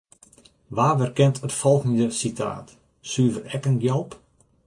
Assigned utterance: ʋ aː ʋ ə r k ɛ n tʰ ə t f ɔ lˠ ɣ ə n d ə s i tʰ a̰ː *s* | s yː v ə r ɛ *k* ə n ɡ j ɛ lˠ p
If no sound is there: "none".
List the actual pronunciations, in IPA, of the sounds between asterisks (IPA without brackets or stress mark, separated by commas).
t, k